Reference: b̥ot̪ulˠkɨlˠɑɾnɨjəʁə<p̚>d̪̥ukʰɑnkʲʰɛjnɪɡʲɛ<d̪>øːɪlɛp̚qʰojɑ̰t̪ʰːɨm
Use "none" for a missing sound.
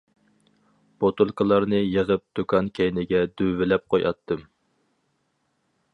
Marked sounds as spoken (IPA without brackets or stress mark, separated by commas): p̚, d̪